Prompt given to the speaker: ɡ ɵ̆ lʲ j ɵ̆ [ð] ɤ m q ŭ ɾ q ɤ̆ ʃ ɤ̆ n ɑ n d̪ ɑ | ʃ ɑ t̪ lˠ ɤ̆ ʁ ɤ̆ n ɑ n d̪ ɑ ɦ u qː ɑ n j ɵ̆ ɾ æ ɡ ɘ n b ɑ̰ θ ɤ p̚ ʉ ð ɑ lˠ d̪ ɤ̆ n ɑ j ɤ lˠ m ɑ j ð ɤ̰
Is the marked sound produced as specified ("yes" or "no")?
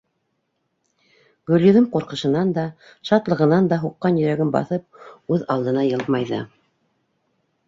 yes